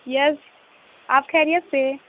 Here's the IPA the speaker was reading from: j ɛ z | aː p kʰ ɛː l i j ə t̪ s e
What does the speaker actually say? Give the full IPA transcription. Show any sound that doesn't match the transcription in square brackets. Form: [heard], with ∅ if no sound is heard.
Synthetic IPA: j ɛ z | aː p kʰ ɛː [ɾ] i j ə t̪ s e